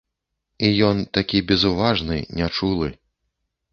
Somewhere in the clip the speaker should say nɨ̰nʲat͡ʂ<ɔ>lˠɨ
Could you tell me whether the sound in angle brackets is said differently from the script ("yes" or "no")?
yes